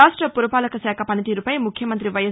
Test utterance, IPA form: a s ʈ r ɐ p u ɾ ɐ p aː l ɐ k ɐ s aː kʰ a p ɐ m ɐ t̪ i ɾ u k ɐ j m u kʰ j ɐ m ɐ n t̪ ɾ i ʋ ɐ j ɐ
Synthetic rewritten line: a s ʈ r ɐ p u ɾ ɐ p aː l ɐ k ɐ s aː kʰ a p ɐ n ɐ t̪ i ɾ u p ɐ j m u kʰ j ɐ m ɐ n t̪ ɾ i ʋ ɐ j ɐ